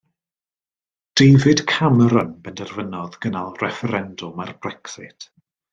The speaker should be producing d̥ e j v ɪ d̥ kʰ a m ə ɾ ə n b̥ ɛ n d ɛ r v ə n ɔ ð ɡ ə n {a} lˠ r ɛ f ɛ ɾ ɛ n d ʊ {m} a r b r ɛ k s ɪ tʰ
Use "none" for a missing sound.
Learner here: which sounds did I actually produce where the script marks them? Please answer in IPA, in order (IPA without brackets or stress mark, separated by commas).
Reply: a, m